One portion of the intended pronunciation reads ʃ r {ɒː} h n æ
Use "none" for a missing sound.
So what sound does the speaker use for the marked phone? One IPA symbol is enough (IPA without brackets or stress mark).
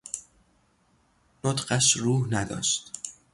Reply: uː